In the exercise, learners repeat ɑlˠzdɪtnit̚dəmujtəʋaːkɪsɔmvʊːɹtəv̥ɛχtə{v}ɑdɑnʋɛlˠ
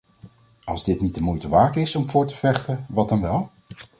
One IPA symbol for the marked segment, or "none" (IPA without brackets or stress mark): ʋ